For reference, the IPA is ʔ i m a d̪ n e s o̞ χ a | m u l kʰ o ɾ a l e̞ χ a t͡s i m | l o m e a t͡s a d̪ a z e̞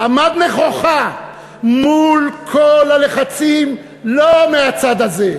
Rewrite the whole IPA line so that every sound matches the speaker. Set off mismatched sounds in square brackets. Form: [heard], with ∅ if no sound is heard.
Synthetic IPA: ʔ [a] m a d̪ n e [χ] o̞ χ a | m u l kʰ o [l] a l e̞ χ a t͡s i m | l o m e a t͡s a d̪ a z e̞

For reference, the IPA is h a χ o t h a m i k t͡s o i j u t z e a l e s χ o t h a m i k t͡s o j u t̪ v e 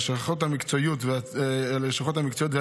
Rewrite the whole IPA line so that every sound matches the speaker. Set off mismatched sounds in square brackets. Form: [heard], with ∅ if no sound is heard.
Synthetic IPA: [ʃ] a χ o t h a m i k t͡s o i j u t [v] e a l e [ʃ] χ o t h a m i k t͡s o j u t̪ v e

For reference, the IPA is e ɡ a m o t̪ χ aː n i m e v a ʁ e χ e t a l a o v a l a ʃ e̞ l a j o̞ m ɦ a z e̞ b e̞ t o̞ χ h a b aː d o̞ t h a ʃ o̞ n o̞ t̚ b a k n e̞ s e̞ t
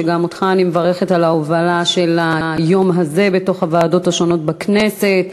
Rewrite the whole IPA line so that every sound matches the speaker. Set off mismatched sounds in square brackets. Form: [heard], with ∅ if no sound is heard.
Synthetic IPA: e ɡ a m o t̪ χ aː n i m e v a ʁ e χ e t a l a o v a l a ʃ e̞ l a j o̞ m ɦ a z e̞ b e̞ t o̞ χ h a [v] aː d o̞ t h a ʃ o̞ n o̞ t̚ b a k n e̞ s e̞ t

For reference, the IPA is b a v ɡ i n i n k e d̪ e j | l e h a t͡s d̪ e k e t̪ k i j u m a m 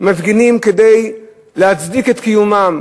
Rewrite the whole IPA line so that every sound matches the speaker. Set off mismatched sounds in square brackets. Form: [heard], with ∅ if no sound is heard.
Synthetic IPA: [m] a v ɡ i n i [m] k e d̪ e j | l e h a t͡s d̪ [i] k e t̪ k i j u m a m

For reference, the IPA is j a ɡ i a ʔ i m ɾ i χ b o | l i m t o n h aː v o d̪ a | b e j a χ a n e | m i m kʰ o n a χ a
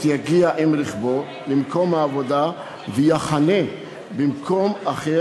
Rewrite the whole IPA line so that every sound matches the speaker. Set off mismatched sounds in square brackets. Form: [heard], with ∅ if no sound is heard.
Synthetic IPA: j a ɡ i a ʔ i m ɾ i χ b o | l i m [k] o [m] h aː v o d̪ a | [v] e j a χ a n e | [b] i m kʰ o [m] a χ [e]

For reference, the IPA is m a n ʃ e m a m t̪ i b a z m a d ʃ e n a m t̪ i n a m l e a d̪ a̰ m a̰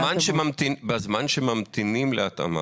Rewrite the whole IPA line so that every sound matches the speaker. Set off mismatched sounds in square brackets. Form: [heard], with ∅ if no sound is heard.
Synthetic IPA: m a n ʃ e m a m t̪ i b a z m a [n] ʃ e [m] a m t̪ i n [i] m l e a [t̪] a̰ m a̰

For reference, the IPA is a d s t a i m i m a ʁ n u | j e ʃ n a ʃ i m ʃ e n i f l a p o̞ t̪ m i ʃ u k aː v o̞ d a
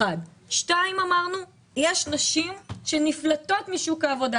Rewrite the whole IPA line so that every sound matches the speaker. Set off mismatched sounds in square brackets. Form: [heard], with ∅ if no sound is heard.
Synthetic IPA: a d [ʃ] t a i m [a] m a ʁ n u | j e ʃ n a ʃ i m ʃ e n i f l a [t] o̞ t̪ m i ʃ u k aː v o̞ d a

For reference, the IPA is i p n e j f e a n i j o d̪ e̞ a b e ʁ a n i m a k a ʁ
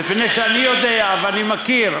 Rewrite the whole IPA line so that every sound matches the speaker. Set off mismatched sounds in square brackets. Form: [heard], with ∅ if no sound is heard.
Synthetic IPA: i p n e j [ʃ] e a n i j o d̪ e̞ a [v] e [∅] a n i m a k [i] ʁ

